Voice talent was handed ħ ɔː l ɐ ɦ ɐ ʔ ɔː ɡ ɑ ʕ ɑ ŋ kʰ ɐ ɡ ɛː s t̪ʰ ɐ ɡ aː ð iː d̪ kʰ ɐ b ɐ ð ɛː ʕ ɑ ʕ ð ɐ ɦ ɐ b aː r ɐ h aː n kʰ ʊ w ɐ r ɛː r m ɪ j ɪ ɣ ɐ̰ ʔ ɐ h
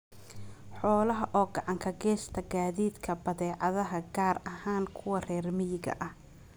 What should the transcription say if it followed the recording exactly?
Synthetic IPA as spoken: ħ ɔː l ɐ ɦ ɐ ʔ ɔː ɡ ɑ ʕ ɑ ŋ kʰ ɐ ɡ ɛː s t̪ʰ ɐ ɡ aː ð iː d̪ kʰ ɐ b ɐ ð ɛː ʕ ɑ ð ɐ ɦ ɐ ɡ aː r ɐ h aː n kʰ ʊ w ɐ r ɛː r m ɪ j ɪ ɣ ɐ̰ ʔ ɐ h